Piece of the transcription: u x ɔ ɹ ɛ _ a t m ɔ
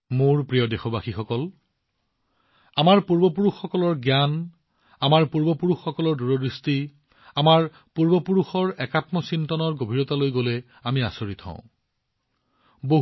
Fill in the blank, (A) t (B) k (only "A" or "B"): B